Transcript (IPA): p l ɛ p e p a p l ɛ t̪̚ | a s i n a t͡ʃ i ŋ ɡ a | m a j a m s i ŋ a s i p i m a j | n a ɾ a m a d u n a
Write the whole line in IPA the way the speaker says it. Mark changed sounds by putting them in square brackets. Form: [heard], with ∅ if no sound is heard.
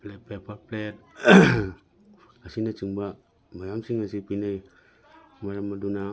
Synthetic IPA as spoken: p l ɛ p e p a p l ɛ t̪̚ | a s i n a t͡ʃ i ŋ [b] a | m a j a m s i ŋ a s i p i [n] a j | [m] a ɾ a m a d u n a